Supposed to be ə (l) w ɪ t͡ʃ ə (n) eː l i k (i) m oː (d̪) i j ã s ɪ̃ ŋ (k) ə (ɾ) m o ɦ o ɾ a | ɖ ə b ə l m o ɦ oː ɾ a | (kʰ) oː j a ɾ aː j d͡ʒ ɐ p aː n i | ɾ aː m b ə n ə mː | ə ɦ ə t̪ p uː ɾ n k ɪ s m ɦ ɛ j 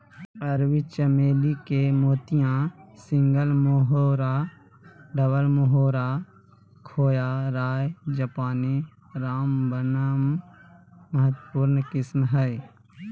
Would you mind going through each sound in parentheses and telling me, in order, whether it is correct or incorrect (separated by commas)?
incorrect, incorrect, incorrect, incorrect, incorrect, incorrect, correct